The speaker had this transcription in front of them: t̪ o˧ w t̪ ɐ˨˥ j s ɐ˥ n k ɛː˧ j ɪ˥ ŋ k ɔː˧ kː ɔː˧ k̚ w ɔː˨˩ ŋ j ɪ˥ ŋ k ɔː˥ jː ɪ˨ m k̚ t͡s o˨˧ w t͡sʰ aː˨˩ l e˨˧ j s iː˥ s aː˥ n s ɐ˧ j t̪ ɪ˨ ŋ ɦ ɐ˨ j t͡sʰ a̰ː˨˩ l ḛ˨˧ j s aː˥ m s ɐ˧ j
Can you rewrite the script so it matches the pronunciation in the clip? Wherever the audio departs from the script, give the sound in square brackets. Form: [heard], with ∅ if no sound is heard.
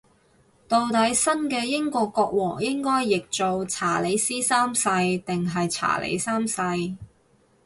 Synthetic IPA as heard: t̪ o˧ w t̪ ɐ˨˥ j s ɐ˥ n k ɛː˧ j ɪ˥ ŋ k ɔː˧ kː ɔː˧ k̚ w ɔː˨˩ ŋ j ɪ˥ ŋ k ɔː˥ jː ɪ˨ [∅] k̚ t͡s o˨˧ w t͡sʰ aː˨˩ l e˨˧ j s iː˥ s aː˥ [m] s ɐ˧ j t̪ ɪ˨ ŋ ɦ ɐ˨ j t͡sʰ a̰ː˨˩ l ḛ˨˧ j s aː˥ m s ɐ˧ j